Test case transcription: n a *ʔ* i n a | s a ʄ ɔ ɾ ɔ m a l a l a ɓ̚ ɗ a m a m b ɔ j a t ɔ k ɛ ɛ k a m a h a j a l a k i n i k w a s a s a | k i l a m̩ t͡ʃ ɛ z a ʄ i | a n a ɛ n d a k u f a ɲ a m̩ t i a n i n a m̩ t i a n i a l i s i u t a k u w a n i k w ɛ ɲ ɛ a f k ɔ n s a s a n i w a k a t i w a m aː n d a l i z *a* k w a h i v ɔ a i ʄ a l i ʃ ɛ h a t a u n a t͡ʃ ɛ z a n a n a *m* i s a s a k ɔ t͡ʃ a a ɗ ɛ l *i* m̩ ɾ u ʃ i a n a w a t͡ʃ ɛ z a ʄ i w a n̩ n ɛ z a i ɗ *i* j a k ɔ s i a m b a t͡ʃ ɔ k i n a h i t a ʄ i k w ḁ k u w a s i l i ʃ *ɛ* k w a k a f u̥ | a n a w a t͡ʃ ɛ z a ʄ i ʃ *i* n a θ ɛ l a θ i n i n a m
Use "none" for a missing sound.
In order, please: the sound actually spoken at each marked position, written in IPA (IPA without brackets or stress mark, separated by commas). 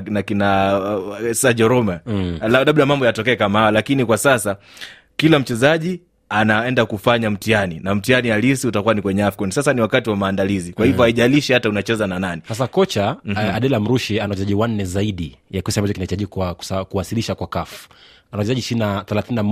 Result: k, i, n, a, i, a, i